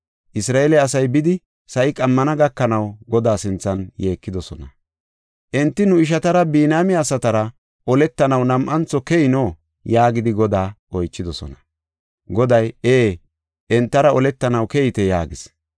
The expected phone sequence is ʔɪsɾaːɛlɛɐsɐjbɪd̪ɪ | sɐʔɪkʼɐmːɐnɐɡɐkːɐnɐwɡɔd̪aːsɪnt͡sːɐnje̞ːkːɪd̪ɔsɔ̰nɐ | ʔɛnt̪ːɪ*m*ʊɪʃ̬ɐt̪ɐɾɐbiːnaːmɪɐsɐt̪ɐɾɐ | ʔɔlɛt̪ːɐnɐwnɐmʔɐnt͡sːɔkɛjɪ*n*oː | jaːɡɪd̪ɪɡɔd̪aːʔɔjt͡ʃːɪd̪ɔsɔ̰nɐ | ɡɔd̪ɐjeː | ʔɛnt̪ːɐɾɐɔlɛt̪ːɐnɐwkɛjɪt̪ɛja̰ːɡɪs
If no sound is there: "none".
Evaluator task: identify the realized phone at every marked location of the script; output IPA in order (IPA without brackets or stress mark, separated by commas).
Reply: n, n